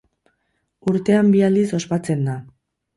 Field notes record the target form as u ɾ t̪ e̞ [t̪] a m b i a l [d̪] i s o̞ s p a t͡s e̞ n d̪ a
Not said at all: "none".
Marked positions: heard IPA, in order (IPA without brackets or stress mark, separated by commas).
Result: none, d̪